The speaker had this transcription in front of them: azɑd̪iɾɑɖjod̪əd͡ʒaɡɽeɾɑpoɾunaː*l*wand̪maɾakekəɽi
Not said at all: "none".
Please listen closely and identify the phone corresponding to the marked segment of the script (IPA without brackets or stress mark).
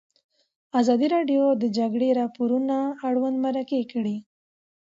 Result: ɽ